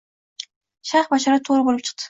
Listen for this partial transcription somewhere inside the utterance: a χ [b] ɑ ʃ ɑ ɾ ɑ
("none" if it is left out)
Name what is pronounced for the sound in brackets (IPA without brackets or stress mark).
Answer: b